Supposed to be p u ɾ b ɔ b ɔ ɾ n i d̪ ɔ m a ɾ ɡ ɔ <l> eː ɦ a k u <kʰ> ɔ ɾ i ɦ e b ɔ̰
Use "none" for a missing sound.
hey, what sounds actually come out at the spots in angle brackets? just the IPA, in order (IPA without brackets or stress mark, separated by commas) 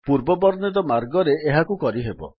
ɾ, k